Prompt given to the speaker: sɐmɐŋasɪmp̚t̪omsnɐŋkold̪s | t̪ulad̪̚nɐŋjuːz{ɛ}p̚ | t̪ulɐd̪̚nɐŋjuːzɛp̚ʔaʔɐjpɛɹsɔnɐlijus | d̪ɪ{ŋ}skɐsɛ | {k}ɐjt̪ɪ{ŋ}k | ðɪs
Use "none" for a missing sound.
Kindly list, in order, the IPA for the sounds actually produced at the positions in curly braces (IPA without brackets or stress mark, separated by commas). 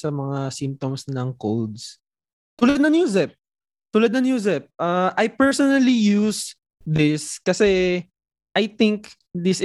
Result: ɛ, none, ʔ, ŋ